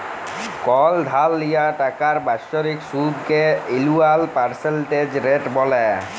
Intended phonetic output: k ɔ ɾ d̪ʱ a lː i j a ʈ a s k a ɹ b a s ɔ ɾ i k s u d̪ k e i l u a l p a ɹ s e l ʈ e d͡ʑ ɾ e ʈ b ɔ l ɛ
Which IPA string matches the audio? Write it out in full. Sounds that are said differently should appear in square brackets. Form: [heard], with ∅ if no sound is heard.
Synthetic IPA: k ɔ [l] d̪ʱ a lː i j a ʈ a [∅] k a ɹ b a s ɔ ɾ i k s u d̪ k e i l u a l p a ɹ s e l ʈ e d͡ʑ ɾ e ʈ b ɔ l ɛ